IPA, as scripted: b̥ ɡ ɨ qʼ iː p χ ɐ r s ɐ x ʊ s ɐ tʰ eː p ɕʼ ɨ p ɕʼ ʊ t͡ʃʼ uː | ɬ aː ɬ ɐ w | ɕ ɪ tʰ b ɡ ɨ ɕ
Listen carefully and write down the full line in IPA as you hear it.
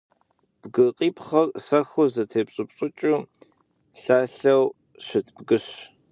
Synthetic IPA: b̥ ɡ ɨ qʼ iː p χ ɐ r s ɐ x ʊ z ɐ tʰ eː p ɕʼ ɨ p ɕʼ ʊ t͡ʃʼ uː | ɬ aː ɬ ɐ w | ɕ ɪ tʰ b ɡ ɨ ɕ